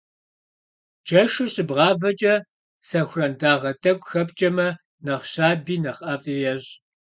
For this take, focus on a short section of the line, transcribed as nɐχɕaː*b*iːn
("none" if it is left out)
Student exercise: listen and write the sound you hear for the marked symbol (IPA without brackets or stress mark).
b